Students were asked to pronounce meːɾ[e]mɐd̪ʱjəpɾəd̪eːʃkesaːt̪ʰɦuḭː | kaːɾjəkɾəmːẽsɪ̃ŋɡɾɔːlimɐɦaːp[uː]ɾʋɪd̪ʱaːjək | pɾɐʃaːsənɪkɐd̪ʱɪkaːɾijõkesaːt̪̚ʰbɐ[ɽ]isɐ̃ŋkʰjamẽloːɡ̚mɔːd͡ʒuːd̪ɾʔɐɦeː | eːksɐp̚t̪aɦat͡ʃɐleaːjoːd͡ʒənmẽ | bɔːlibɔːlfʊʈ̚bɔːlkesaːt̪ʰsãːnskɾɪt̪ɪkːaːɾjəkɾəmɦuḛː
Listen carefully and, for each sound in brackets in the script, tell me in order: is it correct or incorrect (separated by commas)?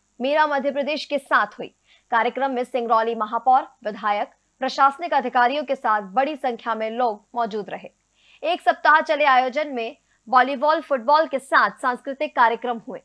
incorrect, incorrect, correct